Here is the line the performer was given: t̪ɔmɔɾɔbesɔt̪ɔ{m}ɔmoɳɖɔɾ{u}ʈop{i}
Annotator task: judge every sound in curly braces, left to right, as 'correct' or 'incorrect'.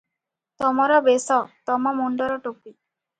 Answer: correct, incorrect: ɔ, correct

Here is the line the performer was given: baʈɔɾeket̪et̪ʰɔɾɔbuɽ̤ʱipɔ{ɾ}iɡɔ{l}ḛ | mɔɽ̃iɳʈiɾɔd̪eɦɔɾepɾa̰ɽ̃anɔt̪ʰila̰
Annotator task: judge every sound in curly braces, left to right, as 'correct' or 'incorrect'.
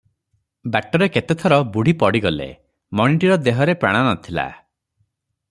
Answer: incorrect: ɽ, correct

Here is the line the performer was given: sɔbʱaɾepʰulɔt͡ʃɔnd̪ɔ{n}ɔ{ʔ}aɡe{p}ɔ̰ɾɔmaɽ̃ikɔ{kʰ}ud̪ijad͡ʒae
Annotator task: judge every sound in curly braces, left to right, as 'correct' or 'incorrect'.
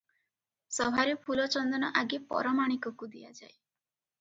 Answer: correct, correct, correct, incorrect: k

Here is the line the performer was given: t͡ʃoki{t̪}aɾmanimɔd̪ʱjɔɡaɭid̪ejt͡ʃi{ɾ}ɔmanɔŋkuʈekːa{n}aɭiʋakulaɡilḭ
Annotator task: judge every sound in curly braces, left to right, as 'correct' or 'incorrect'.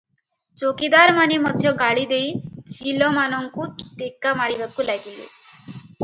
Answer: incorrect: d̪, incorrect: l, incorrect: m

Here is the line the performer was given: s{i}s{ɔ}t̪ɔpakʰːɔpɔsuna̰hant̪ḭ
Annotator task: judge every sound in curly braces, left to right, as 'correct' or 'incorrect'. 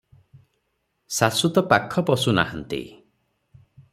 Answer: incorrect: a, incorrect: u

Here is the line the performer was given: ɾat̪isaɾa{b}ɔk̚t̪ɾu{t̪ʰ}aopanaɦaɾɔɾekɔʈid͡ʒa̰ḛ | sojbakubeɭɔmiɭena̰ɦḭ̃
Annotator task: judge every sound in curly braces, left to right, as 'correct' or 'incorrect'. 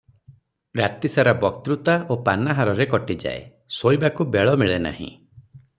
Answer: correct, incorrect: t̪

